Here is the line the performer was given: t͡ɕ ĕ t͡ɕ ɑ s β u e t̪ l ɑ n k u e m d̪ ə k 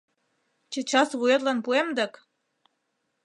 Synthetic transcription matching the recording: t͡ɕ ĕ t͡ɕ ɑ s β u e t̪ l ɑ n p u e m d̪ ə k